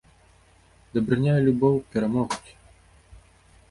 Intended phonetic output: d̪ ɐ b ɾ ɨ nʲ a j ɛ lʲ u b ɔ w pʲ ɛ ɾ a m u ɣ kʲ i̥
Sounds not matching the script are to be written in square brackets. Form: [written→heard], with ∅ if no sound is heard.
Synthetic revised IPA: d̪ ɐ b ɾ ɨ nʲ a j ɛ lʲ u b ɔ w pʲ ɛ ɾ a m [u→ɔ] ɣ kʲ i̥